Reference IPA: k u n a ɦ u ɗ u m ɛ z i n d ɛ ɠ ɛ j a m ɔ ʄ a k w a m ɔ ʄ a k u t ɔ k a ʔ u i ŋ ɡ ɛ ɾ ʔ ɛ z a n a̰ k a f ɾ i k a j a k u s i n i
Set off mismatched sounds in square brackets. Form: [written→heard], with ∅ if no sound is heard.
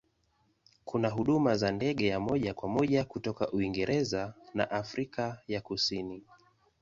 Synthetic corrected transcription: k u n a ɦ u ɗ u m [ɛ→a] z [i→a] n d ɛ ɠ ɛ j a m ɔ ʄ a k w a m ɔ ʄ a k u t ɔ k a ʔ u i ŋ ɡ ɛ ɾ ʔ ɛ z a n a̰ [k→ʔ] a f ɾ i k a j a k u s i n i